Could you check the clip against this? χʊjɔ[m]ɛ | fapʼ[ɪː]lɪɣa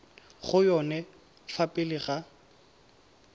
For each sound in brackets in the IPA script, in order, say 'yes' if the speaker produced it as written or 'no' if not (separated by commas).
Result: no, no